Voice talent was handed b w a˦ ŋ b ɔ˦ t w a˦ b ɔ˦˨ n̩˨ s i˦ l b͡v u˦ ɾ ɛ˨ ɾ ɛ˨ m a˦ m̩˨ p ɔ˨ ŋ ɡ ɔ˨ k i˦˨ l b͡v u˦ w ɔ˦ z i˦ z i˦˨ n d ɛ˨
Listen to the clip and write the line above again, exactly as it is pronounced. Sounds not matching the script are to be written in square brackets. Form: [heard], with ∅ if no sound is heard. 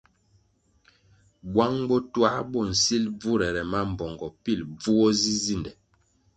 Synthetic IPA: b w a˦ ŋ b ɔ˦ t w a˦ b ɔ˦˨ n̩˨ s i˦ l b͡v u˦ ɾ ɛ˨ ɾ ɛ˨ m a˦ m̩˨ [b] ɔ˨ ŋ ɡ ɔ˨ [p] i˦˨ l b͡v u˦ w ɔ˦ z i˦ z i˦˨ n d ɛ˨